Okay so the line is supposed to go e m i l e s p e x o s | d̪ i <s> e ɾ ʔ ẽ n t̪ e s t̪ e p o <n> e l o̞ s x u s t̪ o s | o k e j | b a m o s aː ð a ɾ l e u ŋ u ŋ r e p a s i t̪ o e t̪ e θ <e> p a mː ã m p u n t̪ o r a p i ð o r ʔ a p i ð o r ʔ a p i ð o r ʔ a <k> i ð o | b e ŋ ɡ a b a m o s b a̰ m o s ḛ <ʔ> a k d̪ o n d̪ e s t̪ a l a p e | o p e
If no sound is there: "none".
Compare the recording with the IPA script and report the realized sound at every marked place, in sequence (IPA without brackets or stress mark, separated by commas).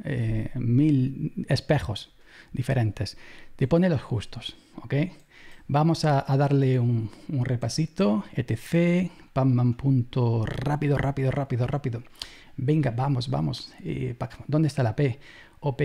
f, n, e, p, p